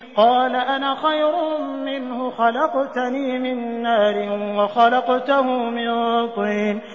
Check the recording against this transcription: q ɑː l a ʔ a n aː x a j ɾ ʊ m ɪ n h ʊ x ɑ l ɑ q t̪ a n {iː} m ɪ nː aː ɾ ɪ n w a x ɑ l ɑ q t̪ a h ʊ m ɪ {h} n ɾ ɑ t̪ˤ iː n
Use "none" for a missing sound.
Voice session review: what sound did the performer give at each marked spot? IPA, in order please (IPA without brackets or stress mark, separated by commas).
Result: iː, none